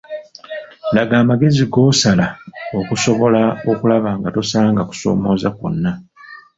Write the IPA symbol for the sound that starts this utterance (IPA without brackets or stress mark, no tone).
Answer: l